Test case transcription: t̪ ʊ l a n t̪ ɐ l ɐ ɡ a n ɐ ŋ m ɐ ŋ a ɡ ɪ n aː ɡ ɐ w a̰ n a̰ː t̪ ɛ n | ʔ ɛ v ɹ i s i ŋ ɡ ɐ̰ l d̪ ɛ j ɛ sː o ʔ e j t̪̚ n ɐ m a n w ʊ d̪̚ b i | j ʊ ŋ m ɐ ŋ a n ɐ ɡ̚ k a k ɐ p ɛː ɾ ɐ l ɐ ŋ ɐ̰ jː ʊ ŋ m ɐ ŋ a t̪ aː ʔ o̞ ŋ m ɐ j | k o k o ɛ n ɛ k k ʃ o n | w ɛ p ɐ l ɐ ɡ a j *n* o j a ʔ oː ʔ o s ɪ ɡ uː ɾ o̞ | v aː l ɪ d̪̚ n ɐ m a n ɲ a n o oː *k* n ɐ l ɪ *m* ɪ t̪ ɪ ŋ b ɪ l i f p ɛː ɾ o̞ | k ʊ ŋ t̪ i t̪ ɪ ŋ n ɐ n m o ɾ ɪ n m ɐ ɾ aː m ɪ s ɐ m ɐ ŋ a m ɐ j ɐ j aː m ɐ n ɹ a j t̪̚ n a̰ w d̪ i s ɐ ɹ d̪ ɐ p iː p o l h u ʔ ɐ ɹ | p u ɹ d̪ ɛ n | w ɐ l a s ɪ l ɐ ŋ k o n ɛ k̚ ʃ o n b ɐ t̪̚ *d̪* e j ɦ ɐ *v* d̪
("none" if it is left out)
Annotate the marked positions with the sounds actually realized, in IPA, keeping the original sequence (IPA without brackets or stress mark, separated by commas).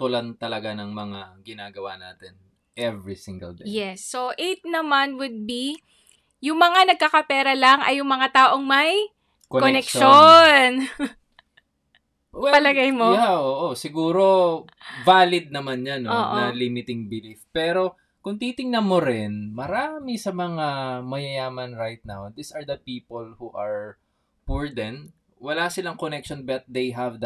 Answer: m, ʔ, m, d̪, v